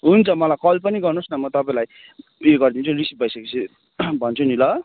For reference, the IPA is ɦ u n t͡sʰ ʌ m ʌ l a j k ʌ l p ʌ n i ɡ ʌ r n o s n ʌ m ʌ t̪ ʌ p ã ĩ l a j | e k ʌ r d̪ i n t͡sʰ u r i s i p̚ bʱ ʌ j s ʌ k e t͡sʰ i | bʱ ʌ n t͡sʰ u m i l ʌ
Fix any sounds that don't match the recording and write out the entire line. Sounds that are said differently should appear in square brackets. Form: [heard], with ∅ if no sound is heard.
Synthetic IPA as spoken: ɦ u n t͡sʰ ʌ m ʌ l a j k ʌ l p ʌ n i ɡ ʌ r n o s n ʌ m ʌ t̪ ʌ p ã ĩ l a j | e [ɡ] ʌ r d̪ i n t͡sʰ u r i s i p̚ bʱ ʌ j s ʌ k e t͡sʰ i | bʱ ʌ n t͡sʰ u [n] i l ʌ